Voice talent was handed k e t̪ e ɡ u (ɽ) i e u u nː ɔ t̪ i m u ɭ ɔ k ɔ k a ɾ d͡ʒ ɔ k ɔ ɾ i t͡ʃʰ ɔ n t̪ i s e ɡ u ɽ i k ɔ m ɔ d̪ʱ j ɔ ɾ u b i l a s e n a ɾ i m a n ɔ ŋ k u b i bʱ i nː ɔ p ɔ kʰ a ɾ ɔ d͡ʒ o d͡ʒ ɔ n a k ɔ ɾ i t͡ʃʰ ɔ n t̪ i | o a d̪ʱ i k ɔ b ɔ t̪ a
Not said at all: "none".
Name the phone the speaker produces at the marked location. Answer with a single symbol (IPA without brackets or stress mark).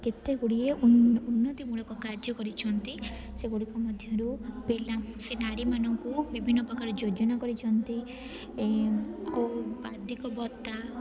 ɽ